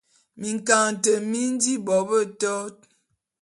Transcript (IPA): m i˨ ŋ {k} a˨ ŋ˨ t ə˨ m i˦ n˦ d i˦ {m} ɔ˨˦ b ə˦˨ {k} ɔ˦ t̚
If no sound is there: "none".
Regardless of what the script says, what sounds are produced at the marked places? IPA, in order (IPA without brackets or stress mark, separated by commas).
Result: k, b, t